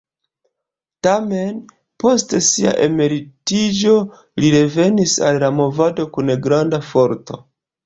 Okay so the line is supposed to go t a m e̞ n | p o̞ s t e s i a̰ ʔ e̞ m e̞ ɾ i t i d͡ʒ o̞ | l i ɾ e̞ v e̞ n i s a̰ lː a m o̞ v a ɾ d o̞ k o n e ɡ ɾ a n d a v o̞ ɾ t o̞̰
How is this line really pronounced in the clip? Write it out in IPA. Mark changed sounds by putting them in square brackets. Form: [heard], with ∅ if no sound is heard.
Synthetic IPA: t a m e̞ n | p o̞ s t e s i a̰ ʔ e̞ m e̞ ɾ i t i d͡ʒ o̞ | l i ɾ e̞ v e̞ n i s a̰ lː a m o̞ v a [∅] d o̞ k [u] n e ɡ ɾ a n d a [f] o̞ ɾ t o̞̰

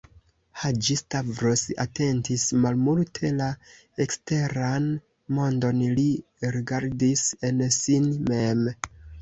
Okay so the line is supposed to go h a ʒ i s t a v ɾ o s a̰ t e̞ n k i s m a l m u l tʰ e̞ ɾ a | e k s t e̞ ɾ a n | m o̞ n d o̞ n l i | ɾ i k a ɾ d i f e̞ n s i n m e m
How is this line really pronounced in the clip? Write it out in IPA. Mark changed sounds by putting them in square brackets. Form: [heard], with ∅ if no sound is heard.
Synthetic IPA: h a [d͡ʒ] i s t a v ɾ o s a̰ t e̞ n [t] i s m a l m u l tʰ e̞ [l] a | e k s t e̞ ɾ a n | m o̞ n d o̞ n l i | ɾ i [ɡ] a ɾ d i [s] e̞ n s i n m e m

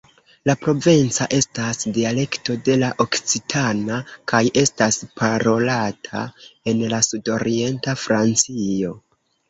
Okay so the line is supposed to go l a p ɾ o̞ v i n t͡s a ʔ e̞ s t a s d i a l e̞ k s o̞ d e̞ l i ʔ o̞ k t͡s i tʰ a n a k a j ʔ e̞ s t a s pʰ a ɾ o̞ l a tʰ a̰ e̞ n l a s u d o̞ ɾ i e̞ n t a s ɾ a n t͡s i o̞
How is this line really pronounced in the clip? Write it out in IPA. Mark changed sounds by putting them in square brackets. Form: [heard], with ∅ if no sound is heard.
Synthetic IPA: l a p ɾ o̞ v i n t͡s a ʔ e̞ s t a s d i a l e̞ k [t] o̞ d e̞ l [a] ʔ o̞ k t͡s i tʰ a n a k a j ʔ e̞ s t a s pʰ a ɾ o̞ l a tʰ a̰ e̞ n l a s u d o̞ ɾ i e̞ n t a [f] ɾ a n t͡s i o̞

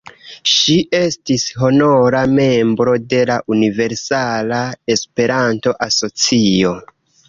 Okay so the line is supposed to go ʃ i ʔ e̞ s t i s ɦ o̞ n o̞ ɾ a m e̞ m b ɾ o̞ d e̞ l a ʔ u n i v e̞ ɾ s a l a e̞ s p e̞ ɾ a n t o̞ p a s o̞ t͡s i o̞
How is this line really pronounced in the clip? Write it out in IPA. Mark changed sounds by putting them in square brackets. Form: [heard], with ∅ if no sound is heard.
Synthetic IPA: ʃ i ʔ e̞ s t i s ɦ o̞ n o̞ ɾ a m e̞ m b ɾ o̞ d e̞ l a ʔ u n i v e̞ ɾ s a l a e̞ s p e̞ ɾ a n t o̞ [ʔ] a s o̞ t͡s i o̞

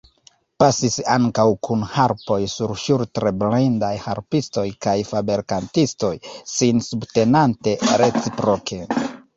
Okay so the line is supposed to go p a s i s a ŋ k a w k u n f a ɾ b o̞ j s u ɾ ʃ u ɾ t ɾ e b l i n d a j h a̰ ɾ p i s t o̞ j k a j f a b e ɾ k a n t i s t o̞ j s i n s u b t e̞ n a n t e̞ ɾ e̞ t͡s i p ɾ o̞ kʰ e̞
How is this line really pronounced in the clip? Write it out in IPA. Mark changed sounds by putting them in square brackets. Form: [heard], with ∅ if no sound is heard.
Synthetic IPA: p a s i s a ŋ k a w k u n [h] a ɾ [p] o̞ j s u ɾ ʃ u ɾ t ɾ e b l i n d a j h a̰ ɾ p i s t o̞ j k a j f a b e ɾ k a n t i s t o̞ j s i n s u b t e̞ n a n t e̞ ɾ e̞ t͡s i p ɾ o̞ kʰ e̞

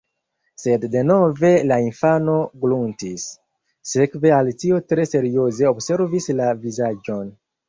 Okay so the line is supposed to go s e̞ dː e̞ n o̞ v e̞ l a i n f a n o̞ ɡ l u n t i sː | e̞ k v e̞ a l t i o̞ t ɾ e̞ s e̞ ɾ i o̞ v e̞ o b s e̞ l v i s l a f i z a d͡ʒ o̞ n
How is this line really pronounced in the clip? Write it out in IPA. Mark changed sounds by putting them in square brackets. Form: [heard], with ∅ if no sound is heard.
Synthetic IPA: s e̞ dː e̞ n o̞ v e̞ l a i n f a n o̞ ɡ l u n t i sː | e̞ k v e̞ a l t i o̞ t ɾ e̞ s e̞ ɾ i o̞ [z] e̞ o b s e̞ [ɾ] v i s l a [v] i z a d͡ʒ o̞ n

